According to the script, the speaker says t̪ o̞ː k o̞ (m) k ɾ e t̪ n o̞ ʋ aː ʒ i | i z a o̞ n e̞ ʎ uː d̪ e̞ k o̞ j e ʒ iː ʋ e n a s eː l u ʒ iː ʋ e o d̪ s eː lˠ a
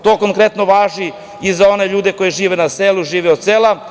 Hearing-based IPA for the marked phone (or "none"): ŋ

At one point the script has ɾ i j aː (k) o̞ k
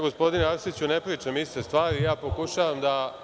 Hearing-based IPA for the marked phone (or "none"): p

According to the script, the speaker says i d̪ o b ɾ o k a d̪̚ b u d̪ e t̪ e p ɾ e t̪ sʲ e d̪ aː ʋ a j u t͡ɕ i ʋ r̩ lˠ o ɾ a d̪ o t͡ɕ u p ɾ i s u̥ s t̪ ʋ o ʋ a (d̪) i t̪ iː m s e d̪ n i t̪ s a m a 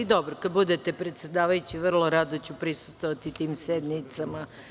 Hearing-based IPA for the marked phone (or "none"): t̪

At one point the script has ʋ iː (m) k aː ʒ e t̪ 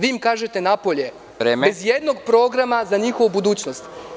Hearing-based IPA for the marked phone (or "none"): m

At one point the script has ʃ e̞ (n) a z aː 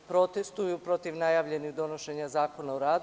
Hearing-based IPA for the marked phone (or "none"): ɲ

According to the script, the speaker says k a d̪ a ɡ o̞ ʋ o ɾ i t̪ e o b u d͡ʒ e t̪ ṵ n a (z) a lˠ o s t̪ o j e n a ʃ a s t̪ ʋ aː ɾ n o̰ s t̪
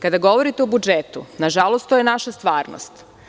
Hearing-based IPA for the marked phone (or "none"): ʒ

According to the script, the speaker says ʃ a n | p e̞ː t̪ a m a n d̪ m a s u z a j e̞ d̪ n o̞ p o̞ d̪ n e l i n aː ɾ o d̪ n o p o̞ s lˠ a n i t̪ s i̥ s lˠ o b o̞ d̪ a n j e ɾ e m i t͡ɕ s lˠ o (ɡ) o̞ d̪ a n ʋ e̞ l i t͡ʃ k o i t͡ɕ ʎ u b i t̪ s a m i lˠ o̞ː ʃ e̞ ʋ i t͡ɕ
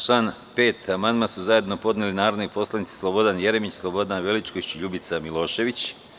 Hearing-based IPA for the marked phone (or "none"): b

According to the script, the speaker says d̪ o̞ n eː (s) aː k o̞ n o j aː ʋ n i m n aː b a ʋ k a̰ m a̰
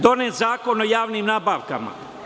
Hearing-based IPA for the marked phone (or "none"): z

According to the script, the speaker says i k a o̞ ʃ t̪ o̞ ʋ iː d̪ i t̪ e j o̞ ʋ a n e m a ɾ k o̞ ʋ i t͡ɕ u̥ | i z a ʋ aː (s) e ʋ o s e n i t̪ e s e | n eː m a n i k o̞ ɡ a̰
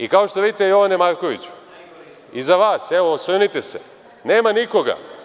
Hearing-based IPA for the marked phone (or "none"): s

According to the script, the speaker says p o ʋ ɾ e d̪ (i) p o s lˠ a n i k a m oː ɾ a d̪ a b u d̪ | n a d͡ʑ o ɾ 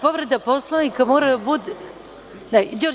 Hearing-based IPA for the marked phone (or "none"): a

